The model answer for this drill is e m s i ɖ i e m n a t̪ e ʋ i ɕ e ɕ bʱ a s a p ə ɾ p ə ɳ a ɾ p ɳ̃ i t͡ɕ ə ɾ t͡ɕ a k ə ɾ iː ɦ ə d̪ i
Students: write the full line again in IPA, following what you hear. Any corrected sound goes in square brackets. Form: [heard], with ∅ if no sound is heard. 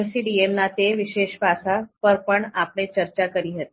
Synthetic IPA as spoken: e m s i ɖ i e m n a t̪ e ʋ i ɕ e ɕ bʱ a s a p ə ɾ p ə ɳ a [∅] p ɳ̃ [e] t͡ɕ ə ɾ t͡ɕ a k ə ɾ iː ɦ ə [t̪] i